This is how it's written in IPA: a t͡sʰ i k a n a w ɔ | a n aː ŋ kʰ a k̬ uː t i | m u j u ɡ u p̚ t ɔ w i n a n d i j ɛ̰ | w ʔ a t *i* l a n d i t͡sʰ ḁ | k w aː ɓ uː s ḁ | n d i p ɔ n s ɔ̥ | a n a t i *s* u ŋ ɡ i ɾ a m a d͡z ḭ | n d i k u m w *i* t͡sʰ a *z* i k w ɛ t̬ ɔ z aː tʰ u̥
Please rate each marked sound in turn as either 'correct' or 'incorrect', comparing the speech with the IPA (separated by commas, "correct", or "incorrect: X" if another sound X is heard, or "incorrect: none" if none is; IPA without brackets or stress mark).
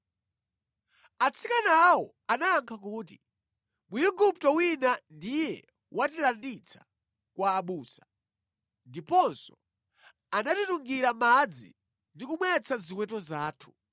correct, incorrect: t, incorrect: ɛ, correct